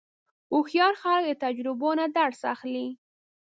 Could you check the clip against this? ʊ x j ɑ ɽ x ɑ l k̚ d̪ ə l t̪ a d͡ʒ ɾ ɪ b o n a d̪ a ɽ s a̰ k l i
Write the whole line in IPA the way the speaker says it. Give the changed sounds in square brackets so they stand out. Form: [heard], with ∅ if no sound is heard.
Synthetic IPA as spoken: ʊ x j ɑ [ɾ] x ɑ l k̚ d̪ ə [∅] t̪ a d͡ʒ ɾ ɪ b o n a d̪ a ɽ s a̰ [x] l i